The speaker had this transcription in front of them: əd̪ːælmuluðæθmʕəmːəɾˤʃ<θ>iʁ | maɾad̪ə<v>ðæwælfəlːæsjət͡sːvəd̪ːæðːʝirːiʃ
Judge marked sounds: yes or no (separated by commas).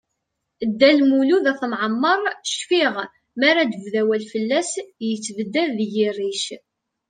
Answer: no, yes